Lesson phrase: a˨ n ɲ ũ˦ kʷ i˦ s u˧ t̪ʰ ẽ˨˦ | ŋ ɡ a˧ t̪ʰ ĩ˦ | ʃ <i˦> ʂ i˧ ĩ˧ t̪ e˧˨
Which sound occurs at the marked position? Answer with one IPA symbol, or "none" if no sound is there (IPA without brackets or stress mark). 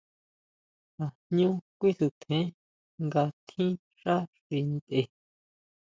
a˦